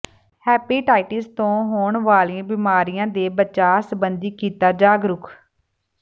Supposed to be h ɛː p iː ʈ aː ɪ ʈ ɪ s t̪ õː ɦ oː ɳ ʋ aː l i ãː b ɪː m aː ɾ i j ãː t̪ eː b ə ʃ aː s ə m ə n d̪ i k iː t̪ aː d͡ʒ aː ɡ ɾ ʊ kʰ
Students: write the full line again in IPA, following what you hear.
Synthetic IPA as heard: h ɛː p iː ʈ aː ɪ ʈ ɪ s t̪ õː ɦ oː ɳ ʋ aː l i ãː b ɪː m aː ɾ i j ãː d̪ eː b ə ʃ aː s ə b ə n d̪ iː k iː t̪ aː d͡ʒ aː ɡ ɾ ʊ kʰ